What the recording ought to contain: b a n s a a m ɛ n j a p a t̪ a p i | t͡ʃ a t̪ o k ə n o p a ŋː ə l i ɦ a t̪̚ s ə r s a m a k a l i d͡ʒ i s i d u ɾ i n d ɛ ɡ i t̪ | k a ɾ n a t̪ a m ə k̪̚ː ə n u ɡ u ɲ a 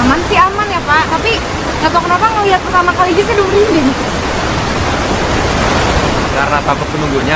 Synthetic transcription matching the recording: m a n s i a m a n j a p a t̪ a p i | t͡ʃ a t̪ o k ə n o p a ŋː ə l i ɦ a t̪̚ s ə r s a m a k a l i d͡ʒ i s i d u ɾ i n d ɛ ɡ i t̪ | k a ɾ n a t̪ a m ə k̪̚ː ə n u ɡ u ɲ a